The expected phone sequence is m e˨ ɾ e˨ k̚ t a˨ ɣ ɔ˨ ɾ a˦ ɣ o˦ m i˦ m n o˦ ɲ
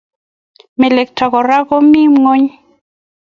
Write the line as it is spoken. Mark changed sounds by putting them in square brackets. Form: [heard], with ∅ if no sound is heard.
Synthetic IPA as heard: m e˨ [l] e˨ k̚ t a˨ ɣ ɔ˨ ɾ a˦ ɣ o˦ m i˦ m [ŋ] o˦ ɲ